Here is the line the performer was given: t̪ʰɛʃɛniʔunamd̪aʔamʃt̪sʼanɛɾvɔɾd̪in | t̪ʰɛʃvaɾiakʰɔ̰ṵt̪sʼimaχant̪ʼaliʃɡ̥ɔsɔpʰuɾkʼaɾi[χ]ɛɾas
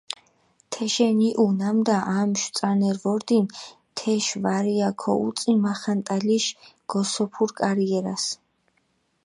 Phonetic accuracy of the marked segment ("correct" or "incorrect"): incorrect